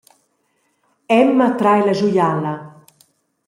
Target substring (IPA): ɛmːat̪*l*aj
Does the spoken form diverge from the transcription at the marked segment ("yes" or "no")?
yes